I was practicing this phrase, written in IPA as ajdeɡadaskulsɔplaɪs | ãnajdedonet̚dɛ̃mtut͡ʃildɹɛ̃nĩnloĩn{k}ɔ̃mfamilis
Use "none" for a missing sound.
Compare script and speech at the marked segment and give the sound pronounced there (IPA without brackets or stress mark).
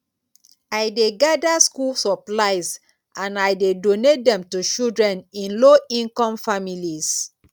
k